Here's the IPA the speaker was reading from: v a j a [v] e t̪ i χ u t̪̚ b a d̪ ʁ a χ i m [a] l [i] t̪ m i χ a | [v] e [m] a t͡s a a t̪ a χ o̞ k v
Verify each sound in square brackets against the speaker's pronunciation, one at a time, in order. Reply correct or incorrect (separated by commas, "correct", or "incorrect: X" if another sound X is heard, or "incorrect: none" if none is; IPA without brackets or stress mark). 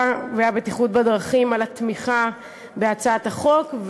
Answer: incorrect: b, correct, incorrect: a, incorrect: b, incorrect: none